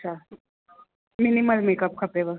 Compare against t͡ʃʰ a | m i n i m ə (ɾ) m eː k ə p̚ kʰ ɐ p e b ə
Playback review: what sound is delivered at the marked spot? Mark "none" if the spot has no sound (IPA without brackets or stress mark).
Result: l